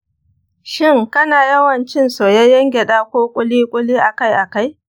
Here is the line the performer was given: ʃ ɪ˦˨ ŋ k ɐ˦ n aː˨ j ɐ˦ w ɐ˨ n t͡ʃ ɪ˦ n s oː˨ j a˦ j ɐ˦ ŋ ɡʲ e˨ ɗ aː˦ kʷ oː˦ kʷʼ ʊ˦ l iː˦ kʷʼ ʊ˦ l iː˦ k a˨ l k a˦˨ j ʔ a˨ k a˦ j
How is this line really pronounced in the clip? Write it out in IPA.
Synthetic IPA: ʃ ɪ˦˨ ŋ k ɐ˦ n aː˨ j ɐ˦ w ɐ˨ n t͡ʃ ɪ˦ n s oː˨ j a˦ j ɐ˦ ŋ ɡʲ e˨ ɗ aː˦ kʷ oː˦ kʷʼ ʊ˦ l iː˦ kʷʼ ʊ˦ l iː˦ ʔ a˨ k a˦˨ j ʔ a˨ k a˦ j